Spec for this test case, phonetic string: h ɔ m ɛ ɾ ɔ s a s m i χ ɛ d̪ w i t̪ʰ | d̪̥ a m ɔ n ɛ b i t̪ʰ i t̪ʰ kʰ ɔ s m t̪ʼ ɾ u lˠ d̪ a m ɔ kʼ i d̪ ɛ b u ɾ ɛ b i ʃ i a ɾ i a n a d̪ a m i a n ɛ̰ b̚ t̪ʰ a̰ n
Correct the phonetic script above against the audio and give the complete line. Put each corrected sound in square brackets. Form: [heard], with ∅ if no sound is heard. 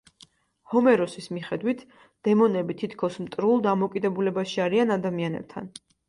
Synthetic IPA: h ɔ m ɛ ɾ ɔ s [i] s m i χ ɛ d̪ w i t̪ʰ | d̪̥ [ɛ] m ɔ n ɛ b i t̪ʰ i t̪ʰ kʰ ɔ s m t̪ʼ ɾ u lˠ d̪ a m ɔ kʼ i d̪ ɛ b u [l] ɛ b [a] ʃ i a ɾ i a n a d̪ a m i a n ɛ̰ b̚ t̪ʰ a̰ n